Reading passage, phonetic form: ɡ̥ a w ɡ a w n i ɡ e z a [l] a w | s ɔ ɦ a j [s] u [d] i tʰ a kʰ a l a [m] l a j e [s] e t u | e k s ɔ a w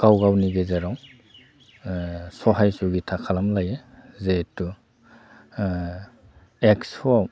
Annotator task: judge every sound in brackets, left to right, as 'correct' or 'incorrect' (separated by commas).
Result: incorrect, correct, incorrect, correct, incorrect